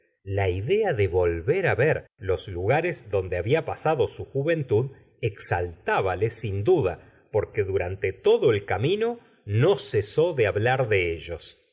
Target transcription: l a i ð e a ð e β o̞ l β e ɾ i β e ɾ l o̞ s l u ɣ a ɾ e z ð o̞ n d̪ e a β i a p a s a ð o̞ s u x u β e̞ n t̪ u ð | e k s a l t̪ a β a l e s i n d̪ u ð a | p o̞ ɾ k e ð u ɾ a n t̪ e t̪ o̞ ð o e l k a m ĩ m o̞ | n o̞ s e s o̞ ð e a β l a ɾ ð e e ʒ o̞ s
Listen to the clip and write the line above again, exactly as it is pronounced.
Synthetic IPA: l a i ð e a ð e β o̞ l β e ɾ a β e ɾ l o̞ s l u ɣ a ɾ e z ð o̞ n d̪ e a β i a p a s a ð o̞ s u x u β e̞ n t̪ u ð | e k s a l t̪ a β a l e s i n d̪ u ð a | p o̞ ɾ k e ð u ɾ a n t̪ e t̪ o̞ ð o e l k a m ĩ n o̞ | n o̞ s e s o̞ ð e a β l a ɾ ð e e ʒ o̞ s

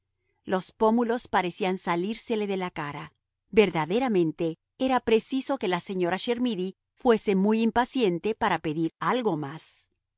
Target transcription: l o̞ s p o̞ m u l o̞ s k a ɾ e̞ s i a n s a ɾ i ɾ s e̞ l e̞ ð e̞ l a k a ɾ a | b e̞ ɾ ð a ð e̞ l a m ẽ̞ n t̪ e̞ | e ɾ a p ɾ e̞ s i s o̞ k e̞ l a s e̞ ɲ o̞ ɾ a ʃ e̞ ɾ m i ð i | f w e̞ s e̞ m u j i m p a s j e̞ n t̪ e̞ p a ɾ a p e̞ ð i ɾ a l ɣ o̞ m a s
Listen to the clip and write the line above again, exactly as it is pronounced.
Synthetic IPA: l o̞ s p o̞ m u l o̞ s p a ɾ e̞ s i a n s a l i ɾ s e̞ l e̞ ð e̞ l a k a ɾ a | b e̞ ɾ ð a ð e̞ ɾ a m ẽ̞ n t̪ e̞ | e ɾ a p ɾ e̞ s i s o̞ k e̞ l a s e̞ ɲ o̞ ɾ a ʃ e̞ ɾ m i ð i | f w e̞ s e̞ m u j i m p a s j e̞ n t̪ e̞ p a ɾ a p e̞ ð i ɾ a l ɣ o̞ m a s

